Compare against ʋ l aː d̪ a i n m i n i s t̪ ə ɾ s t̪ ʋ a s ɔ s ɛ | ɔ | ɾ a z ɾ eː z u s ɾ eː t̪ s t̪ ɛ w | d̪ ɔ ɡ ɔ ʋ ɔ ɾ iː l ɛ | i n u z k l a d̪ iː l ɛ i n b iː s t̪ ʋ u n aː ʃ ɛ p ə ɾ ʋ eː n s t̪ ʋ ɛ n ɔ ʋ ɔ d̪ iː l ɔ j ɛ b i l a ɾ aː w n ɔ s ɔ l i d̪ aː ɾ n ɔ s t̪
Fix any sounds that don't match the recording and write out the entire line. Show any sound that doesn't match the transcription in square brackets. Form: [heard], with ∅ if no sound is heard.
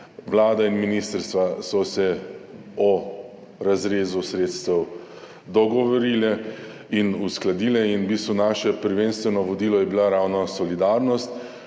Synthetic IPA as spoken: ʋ l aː d̪ a i n m i n i s t̪ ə ɾ s t̪ ʋ a s ɔ s ɛ | ɔ | ɾ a z ɾ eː z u s ɾ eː t̪ s t̪ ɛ w | d̪ ɔ ɡ ɔ ʋ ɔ ɾ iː l ɛ | i n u [s] k l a d̪ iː l ɛ i n b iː s t̪ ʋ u n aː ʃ ɛ p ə ɾ ʋ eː n s t̪ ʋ ɛ n ɔ ʋ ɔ d̪ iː l ɔ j ɛ b i l a ɾ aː w n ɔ s ɔ l i d̪ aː ɾ n ɔ s t̪